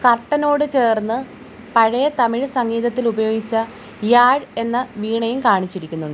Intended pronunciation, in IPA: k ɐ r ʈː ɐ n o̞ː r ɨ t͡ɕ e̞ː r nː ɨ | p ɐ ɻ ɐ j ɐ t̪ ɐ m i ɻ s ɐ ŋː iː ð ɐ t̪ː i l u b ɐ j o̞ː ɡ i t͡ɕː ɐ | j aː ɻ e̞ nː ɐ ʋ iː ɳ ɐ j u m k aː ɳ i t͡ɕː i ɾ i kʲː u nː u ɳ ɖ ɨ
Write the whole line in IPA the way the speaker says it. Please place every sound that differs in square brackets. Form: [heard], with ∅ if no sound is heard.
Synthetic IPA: k ɐ r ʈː ɐ n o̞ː [ɽ] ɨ t͡ɕ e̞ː r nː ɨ | p ɐ ɻ ɐ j ɐ t̪ ɐ m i ɻ s ɐ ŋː iː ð ɐ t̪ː i l u b ɐ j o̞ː ɡ i t͡ɕː ɐ | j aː ɻ e̞ nː ɐ ʋ iː ɳ ɐ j u m k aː ɳ i t͡ɕː i ɾ i kʲː u nː u ɳ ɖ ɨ